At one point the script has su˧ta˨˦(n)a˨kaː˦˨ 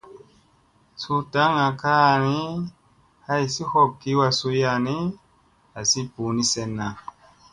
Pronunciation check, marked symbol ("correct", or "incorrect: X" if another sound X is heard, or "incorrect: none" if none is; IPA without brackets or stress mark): incorrect: ŋ